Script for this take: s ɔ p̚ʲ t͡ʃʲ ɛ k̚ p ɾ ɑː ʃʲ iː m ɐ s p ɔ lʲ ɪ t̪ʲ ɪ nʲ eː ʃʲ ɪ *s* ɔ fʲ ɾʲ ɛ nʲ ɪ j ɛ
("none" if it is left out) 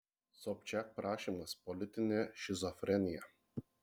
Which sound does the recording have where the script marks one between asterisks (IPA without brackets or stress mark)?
z